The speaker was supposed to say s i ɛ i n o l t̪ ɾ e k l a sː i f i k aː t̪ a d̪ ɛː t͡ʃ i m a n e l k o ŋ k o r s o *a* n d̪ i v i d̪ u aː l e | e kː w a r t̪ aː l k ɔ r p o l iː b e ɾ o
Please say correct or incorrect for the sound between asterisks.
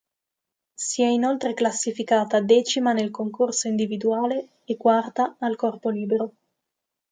incorrect